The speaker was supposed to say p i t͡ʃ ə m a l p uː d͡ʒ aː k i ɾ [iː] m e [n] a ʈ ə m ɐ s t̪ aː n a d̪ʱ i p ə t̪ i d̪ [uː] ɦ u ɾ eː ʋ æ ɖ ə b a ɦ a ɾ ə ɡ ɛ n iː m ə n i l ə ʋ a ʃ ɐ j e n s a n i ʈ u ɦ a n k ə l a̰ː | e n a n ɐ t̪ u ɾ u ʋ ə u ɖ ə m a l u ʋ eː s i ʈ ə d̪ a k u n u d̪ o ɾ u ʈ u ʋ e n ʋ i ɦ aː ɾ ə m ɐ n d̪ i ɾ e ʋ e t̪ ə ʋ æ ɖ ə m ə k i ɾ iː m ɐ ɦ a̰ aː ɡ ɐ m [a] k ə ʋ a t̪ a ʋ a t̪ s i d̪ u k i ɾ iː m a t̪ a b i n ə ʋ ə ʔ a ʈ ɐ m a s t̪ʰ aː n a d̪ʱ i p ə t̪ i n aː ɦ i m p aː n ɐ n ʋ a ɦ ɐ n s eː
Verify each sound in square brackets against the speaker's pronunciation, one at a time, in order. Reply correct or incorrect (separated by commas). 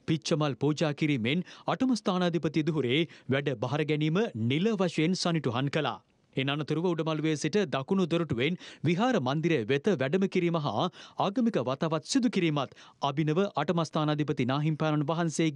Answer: correct, correct, incorrect, incorrect